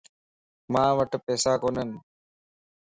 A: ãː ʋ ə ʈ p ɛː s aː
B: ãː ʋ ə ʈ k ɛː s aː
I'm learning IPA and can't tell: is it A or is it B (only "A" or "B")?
A